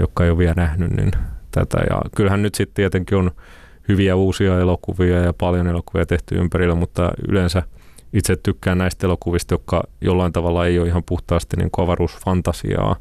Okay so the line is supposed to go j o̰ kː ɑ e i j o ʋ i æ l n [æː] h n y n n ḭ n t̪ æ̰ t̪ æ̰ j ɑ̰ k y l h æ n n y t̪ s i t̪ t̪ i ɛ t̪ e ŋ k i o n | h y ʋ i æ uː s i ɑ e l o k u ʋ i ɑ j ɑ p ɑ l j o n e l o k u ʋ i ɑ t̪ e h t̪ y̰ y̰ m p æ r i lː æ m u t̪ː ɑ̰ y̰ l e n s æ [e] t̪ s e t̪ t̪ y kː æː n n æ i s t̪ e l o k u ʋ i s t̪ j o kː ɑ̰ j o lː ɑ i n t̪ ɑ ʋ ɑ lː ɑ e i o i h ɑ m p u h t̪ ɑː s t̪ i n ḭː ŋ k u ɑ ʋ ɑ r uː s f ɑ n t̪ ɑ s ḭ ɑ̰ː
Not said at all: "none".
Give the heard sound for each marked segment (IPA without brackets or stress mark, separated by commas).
æ, i